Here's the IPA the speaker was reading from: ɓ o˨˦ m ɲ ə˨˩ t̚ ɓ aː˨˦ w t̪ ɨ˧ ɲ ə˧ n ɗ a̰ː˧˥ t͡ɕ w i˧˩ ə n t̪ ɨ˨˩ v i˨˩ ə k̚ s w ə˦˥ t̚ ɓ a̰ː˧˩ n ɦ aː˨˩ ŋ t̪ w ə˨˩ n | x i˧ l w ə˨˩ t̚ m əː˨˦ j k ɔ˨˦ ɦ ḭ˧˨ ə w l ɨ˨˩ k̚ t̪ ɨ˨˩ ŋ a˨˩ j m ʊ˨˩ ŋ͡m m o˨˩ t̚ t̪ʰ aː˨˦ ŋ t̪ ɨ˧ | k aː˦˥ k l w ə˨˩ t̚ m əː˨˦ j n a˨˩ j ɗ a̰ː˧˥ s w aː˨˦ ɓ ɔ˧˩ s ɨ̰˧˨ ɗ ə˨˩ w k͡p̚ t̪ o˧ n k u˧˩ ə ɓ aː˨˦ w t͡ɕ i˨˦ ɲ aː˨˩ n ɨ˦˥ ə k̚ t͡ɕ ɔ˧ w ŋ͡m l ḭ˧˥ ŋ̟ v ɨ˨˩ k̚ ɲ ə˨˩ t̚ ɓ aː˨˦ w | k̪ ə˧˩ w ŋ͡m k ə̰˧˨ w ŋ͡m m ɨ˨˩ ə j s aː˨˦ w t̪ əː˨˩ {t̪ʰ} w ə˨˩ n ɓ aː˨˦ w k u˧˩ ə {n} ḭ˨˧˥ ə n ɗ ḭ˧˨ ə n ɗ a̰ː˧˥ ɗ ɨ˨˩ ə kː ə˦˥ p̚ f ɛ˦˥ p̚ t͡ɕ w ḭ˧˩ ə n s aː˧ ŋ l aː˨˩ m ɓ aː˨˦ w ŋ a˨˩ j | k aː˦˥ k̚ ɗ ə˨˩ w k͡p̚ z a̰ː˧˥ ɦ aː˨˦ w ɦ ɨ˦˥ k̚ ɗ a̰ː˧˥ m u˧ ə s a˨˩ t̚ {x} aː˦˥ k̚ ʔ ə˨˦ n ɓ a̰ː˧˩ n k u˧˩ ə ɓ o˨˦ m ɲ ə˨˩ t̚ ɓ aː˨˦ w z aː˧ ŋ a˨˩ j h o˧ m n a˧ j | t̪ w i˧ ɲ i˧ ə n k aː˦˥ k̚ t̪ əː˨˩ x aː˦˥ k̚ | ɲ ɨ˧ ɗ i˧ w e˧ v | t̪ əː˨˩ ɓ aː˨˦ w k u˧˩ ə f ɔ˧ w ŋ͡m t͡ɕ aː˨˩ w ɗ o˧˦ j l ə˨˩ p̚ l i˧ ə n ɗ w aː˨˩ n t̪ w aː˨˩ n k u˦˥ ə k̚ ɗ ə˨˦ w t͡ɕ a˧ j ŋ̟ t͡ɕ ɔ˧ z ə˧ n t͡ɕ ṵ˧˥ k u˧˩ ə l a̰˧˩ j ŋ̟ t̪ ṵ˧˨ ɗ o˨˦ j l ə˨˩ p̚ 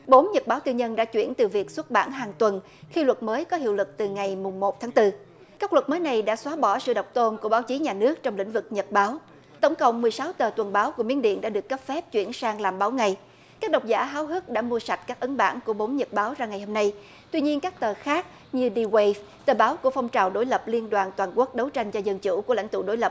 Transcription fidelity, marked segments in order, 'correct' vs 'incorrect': incorrect: t̪, incorrect: m, incorrect: k

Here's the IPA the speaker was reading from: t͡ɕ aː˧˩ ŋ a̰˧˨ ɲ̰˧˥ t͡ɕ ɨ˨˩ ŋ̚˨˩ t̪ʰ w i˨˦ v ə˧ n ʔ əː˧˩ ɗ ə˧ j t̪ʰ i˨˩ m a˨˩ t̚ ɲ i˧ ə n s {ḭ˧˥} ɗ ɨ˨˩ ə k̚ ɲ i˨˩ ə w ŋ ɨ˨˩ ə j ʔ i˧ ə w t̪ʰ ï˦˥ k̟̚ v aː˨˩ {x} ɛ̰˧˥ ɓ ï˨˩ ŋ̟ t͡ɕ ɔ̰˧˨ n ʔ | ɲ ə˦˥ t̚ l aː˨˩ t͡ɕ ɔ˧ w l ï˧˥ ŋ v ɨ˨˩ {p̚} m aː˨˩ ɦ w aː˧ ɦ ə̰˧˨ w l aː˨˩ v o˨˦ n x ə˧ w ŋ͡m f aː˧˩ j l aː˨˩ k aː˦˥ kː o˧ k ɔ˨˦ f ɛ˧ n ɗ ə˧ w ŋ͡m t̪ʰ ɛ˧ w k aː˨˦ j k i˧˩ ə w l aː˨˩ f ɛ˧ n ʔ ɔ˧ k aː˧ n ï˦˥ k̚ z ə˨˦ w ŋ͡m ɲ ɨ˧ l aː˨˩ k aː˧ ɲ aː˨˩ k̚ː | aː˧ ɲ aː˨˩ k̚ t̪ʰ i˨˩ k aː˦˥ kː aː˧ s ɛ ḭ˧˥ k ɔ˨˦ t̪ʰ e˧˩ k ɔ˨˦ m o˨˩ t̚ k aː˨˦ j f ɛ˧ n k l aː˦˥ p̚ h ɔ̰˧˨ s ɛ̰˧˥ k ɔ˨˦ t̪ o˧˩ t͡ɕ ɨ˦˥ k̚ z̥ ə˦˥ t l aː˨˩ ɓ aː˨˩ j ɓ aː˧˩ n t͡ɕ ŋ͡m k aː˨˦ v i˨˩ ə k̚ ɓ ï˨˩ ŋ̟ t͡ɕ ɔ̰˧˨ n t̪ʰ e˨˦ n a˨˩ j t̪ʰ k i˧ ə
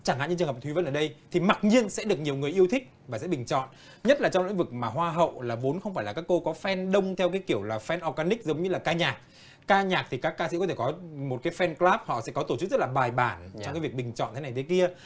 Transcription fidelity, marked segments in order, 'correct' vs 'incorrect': incorrect: ɛ̰˧˥, incorrect: s, incorrect: k̚

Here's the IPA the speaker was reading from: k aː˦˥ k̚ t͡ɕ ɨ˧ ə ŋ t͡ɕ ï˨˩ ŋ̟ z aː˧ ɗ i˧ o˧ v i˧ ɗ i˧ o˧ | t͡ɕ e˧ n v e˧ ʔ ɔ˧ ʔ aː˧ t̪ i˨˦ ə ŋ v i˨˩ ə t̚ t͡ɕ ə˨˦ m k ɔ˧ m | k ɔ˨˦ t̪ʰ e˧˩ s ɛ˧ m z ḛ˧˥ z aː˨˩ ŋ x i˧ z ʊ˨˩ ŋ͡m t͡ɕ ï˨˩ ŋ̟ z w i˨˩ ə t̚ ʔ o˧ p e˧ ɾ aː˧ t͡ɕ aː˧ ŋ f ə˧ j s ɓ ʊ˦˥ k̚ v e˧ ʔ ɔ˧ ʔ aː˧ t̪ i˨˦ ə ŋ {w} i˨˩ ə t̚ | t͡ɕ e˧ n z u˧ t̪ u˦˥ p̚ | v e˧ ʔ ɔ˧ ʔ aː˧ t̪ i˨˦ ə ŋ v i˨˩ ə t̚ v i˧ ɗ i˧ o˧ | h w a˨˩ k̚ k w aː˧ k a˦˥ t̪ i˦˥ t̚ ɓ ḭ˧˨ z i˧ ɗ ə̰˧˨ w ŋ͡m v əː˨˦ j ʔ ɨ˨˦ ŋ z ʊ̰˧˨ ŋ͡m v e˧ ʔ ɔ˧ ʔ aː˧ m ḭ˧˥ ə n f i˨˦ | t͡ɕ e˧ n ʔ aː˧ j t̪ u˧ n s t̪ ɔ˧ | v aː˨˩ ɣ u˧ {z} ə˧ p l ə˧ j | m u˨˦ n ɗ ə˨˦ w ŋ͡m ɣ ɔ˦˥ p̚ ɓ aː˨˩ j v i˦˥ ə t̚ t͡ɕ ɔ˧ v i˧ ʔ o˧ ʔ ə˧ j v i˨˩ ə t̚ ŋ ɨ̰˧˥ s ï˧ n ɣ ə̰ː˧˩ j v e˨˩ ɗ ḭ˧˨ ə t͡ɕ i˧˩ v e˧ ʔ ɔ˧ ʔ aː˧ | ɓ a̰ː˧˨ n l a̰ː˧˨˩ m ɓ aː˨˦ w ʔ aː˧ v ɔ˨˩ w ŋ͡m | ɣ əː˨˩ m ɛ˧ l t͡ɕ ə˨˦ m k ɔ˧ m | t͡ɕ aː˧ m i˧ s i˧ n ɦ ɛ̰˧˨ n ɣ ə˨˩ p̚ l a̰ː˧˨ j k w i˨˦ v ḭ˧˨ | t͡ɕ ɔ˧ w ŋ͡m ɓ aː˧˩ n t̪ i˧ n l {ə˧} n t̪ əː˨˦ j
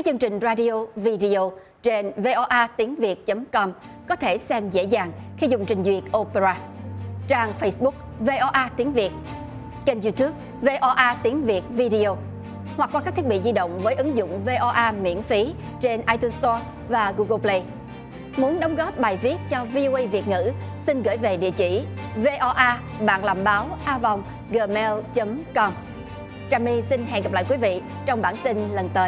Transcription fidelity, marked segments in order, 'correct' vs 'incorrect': incorrect: v, incorrect: ɣ, incorrect: ə˨˩

